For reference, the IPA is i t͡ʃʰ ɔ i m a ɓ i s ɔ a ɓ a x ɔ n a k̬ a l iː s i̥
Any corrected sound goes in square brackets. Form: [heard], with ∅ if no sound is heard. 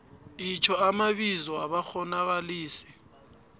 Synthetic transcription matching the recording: i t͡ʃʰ ɔ [a] m a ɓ i [z] ɔ a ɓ a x ɔ n a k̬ a l iː s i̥

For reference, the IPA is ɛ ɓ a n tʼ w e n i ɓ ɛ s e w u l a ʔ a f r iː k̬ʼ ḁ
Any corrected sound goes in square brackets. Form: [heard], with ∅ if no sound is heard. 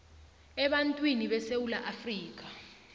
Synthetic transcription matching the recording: ɛ ɓ a n tʼ w [i] n i ɓ ɛ s e w u l a ʔ a f r iː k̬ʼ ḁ

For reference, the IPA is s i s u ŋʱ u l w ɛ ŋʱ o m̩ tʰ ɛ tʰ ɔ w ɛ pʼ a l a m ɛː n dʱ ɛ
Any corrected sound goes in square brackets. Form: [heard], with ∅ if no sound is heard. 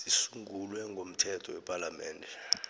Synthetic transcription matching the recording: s i s u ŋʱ u l w ɛ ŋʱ o m̩ tʰ ɛ tʰ ɔ w ɛ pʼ a l a m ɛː n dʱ ɛ

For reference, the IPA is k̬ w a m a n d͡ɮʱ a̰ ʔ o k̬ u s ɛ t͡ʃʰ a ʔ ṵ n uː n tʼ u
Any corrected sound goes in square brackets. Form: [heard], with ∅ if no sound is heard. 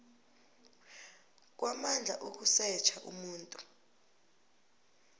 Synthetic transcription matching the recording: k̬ w a m a n d͡ɮʱ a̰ ʔ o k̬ u s ɛ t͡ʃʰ a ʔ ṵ [m] uː n tʼ u

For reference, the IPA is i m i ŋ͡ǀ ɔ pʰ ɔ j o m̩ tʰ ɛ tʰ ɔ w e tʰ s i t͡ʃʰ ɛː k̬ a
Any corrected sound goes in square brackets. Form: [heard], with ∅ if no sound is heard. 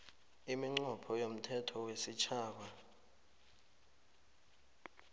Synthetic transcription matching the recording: i m i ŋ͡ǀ ɔ pʰ ɔ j o m̩ tʰ ɛ tʰ ɔ w e [∅] s i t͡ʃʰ [aː] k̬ a

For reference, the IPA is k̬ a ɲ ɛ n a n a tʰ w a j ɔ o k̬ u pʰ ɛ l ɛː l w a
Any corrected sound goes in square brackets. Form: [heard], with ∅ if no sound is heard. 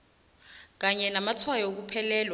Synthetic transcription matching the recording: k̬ a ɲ ɛ n a [m] a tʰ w a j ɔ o k̬ u pʰ ɛ l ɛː l w a

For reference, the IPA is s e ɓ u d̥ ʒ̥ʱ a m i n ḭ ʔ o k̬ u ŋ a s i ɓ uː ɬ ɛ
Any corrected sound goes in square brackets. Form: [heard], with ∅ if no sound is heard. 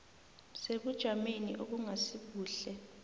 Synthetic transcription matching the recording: s e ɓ u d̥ ʒ̥ʱ a m [e] n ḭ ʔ o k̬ u ŋ a s i ɓ uː ɬ ɛ

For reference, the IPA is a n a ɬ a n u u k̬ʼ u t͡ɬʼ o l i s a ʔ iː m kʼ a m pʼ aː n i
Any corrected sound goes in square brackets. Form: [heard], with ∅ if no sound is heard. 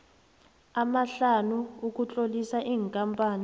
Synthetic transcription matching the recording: a [m] a ɬ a n u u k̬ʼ u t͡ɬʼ o l i s a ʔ iː [ŋ] kʼ a m pʼ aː n i

